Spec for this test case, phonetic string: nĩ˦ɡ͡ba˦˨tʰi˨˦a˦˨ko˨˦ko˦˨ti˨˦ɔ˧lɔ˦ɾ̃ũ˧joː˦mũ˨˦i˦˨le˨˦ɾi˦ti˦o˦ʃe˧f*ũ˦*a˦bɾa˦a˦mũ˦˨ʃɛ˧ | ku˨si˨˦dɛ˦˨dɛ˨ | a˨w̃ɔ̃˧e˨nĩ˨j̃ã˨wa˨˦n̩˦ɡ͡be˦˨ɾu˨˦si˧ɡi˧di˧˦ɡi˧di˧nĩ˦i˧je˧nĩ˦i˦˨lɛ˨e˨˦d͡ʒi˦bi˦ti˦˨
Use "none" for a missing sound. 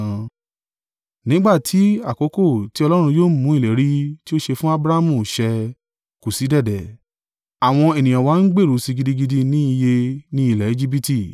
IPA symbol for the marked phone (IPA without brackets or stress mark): ũ˦